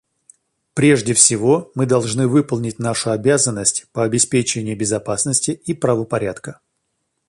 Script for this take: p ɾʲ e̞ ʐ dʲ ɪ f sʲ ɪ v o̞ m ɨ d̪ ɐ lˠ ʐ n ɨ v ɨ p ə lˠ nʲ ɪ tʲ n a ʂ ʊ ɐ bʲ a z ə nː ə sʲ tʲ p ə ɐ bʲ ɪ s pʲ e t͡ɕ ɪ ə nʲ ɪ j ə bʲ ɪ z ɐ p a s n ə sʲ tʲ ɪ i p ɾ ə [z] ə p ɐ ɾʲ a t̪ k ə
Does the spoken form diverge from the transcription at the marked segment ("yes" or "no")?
yes